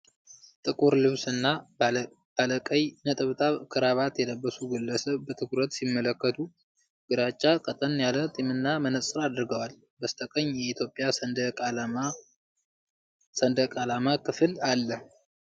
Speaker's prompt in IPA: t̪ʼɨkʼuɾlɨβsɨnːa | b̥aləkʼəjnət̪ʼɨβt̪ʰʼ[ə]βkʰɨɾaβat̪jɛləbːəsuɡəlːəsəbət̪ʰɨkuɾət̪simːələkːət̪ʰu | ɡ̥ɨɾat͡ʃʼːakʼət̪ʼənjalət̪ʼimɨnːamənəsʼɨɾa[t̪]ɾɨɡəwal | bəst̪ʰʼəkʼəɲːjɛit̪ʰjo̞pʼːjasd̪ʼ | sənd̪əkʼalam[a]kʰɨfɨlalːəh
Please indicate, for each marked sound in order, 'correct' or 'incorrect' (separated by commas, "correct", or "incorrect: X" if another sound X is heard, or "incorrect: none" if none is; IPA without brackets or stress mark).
incorrect: a, incorrect: d̪, correct